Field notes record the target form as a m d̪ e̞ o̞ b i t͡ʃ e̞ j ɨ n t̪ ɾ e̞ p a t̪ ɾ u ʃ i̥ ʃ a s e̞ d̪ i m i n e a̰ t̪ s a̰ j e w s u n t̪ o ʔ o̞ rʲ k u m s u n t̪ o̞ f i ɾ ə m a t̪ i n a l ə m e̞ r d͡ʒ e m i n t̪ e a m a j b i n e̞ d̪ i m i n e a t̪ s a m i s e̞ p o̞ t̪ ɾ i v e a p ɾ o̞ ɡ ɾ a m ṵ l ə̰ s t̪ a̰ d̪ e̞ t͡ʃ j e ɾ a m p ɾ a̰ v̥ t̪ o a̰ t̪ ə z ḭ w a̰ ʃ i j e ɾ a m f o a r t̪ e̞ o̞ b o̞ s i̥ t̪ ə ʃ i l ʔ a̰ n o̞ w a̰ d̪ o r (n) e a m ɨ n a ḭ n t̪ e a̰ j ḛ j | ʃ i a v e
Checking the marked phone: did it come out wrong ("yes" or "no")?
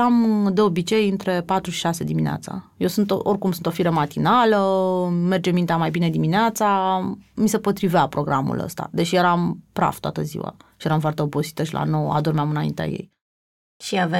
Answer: yes